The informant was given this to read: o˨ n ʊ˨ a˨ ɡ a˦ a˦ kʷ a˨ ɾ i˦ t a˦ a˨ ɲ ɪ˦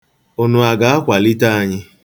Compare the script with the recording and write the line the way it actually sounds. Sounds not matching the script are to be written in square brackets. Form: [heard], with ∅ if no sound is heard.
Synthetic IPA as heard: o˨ n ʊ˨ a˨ ɡ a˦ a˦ kʷ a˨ [l] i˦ t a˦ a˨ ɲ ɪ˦